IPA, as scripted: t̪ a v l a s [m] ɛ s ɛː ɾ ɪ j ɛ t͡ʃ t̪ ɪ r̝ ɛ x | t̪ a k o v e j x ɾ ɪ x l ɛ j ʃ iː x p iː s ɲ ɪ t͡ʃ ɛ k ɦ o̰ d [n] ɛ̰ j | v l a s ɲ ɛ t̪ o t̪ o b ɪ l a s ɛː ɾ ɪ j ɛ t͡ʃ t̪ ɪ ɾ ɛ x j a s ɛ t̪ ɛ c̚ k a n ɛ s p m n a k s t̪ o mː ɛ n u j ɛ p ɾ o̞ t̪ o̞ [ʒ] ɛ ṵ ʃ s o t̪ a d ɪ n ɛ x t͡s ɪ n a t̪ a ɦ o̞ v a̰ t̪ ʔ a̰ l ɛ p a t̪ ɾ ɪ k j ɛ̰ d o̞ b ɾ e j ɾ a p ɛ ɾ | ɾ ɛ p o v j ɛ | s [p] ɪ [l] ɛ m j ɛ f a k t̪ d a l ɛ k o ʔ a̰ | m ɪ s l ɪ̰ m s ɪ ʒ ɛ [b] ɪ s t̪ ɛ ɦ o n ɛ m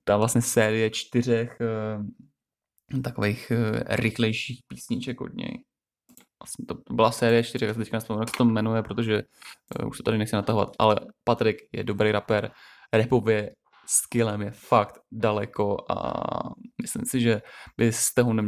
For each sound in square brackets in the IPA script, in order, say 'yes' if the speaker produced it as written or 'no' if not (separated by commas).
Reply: no, no, yes, no, yes, yes